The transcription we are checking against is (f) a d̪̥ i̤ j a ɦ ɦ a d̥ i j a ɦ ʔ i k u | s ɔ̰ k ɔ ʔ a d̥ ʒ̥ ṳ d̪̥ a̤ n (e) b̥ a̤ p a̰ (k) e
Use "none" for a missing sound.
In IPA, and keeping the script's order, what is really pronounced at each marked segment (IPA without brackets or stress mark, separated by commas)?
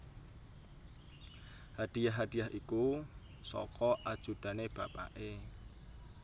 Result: h, e, ʔ